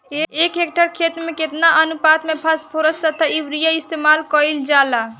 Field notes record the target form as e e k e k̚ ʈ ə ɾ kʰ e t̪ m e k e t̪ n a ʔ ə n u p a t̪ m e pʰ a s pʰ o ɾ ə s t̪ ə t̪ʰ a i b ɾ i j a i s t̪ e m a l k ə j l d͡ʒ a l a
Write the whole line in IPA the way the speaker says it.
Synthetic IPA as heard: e e k e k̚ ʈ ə ɾ kʰ e t̪ m e k e t̪ n a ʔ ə n u p a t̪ m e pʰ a s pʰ o ɾ ə s t̪ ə t̪ʰ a i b ɾ i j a i s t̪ e m a l k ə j l d͡ʒ a l a